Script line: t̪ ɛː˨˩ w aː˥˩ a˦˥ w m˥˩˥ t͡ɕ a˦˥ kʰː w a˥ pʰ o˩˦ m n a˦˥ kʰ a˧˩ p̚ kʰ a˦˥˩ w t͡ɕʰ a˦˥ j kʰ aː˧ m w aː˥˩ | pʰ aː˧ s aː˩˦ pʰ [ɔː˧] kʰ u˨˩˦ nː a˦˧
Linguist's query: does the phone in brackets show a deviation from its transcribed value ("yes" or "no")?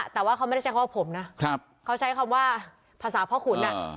yes